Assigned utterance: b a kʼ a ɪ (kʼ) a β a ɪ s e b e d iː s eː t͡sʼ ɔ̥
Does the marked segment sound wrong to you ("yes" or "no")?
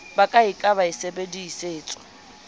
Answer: no